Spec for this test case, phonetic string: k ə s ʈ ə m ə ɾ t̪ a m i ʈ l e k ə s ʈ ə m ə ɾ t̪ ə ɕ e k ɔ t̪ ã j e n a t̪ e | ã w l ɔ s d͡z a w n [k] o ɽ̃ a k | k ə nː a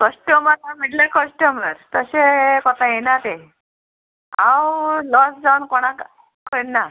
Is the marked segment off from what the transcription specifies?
no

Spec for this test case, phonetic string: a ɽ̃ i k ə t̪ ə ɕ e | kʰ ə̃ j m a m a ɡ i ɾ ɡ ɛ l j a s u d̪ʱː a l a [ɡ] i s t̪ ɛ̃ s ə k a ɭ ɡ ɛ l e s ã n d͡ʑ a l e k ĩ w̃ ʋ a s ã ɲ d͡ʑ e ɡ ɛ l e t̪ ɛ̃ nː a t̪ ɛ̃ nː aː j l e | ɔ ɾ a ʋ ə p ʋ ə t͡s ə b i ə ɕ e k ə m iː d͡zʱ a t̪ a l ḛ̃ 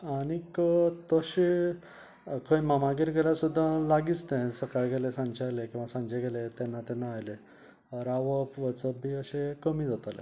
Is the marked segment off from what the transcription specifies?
no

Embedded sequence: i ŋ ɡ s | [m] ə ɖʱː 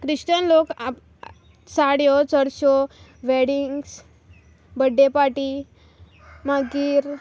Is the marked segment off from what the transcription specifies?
yes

